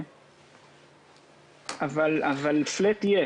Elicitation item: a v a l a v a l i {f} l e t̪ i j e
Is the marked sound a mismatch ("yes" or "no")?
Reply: no